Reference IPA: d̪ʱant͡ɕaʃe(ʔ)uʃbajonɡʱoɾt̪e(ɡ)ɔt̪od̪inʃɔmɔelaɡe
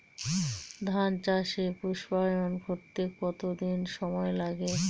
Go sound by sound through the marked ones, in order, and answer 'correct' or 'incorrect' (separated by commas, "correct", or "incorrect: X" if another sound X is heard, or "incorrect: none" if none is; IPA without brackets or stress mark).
incorrect: p, incorrect: k